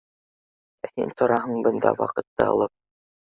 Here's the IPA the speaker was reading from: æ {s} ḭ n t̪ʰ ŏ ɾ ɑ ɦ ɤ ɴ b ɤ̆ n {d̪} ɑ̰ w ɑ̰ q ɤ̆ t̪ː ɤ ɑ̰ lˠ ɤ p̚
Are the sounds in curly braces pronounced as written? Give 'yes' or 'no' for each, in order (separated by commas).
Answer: no, yes